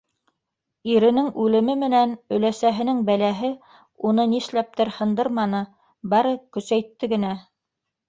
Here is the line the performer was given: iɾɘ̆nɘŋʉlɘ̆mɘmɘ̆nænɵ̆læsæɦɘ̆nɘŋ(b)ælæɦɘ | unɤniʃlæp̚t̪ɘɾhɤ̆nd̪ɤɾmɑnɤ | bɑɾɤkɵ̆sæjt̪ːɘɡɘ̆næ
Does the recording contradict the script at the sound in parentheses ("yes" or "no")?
no